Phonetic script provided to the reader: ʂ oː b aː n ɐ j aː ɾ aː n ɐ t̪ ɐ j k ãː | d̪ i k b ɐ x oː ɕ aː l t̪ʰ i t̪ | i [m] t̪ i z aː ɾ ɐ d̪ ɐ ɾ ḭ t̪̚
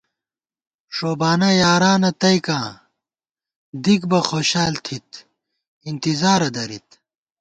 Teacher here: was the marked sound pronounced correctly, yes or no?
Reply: no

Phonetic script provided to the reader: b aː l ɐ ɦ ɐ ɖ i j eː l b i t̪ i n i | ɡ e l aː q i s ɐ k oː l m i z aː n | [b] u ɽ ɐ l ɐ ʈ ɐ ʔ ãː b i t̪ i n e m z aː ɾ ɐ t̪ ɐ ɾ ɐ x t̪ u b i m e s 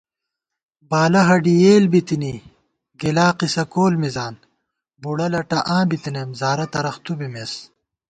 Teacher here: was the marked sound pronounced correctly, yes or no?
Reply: yes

